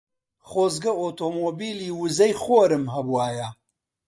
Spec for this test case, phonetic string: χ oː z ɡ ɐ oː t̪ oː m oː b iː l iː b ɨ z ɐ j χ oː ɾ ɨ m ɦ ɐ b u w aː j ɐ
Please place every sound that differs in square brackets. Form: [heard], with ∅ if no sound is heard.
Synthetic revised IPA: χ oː z ɡ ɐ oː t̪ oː m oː b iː l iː [w] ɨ z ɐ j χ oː ɾ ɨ m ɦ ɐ b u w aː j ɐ